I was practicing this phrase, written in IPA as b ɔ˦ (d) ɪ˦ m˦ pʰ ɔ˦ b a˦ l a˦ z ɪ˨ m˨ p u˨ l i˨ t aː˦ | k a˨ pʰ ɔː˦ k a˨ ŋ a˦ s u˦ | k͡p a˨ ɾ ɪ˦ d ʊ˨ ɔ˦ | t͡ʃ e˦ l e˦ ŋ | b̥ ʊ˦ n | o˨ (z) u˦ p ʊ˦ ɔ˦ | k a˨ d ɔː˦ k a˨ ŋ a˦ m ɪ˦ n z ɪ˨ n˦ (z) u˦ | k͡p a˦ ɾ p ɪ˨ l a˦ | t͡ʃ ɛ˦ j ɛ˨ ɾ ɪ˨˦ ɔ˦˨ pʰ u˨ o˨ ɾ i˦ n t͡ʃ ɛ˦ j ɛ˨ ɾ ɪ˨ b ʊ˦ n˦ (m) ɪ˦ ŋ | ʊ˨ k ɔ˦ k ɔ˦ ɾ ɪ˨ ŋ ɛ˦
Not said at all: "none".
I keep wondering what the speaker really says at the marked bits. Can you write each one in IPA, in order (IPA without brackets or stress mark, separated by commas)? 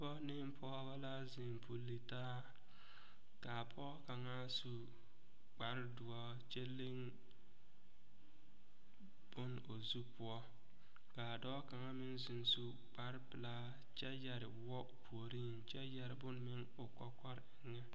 n, z, s, m